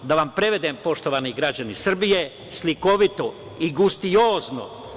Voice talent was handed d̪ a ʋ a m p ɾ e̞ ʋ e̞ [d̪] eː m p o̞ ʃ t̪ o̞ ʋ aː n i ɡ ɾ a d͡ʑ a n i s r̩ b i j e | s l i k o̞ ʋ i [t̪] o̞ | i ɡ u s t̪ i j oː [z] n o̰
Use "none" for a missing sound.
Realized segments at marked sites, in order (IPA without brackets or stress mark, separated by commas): d̪, t̪, z